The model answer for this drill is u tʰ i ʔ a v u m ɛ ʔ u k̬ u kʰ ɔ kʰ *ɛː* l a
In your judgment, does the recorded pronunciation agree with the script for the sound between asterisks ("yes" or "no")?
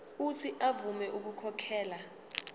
yes